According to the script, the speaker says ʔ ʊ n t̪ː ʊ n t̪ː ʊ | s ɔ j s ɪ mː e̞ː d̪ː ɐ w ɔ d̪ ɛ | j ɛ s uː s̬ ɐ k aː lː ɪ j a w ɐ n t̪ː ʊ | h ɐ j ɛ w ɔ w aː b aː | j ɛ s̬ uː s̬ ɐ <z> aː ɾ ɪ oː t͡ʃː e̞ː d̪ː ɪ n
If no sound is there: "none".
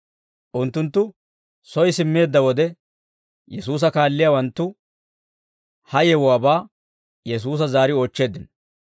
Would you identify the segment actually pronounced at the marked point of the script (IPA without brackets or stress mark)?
z